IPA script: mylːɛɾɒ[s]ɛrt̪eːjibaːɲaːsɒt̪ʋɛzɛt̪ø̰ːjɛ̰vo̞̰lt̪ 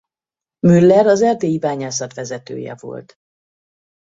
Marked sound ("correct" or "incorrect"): incorrect